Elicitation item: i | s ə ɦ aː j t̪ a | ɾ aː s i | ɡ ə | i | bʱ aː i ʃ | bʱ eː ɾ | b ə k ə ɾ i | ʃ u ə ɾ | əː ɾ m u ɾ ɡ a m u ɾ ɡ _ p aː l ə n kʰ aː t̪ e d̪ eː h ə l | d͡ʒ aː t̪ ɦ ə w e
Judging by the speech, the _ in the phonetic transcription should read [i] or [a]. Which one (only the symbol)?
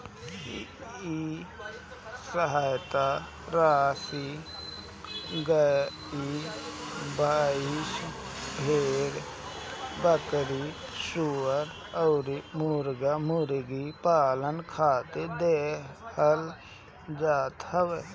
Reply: i